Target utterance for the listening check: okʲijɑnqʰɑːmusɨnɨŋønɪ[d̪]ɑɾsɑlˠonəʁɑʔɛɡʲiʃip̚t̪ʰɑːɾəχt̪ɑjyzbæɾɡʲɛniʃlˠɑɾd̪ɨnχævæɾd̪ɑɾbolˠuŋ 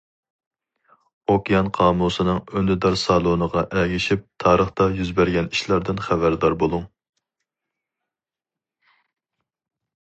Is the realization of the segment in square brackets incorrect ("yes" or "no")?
no